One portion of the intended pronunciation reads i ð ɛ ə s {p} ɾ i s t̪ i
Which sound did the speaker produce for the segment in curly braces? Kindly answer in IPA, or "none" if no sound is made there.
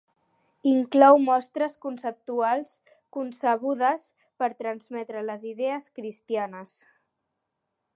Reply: k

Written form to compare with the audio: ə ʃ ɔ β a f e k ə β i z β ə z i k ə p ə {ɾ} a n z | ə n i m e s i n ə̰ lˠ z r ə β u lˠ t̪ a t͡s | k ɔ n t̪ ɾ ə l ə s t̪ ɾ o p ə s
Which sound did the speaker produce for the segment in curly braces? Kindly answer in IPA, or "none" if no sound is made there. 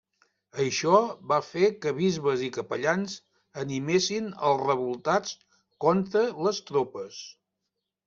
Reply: ʎ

